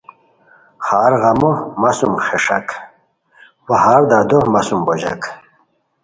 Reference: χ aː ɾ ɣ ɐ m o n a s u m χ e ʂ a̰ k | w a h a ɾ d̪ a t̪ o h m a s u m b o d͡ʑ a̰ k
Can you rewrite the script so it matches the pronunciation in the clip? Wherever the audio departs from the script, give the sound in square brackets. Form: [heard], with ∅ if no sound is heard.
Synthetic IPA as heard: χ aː ɾ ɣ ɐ m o [m] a s u m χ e ʂ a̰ k | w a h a ɾ d̪ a [d̪] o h m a s u m b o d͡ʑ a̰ k